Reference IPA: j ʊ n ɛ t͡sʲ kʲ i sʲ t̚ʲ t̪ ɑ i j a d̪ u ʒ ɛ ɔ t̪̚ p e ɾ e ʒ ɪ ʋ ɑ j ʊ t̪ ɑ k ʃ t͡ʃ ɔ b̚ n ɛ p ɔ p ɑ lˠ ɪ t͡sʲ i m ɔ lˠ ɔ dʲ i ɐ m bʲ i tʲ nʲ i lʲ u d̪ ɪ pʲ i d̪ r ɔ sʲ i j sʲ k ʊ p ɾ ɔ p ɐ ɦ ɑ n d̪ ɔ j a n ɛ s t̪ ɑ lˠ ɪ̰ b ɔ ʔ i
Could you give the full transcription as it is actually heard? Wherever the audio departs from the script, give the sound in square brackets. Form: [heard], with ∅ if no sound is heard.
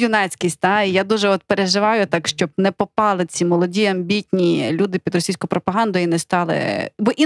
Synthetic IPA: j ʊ n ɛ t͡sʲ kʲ i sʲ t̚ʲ t̪ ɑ i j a d̪ u ʒ ɛ ɔ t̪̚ p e ɾ e ʒ ɪ ʋ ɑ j ʊ t̪ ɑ k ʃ t͡ʃ ɔ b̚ n ɛ p ɔ p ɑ lˠ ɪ t͡sʲ i m ɔ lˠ ɔ dʲ i ɐ m bʲ i tʲ nʲ i lʲ u d̪ ɪ pʲ i d̪ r ɔ sʲ i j sʲ k ʊ p ɾ ɔ p ɐ ɦ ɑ n d̪ ɔ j [i] n ɛ s t̪ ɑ lˠ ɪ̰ b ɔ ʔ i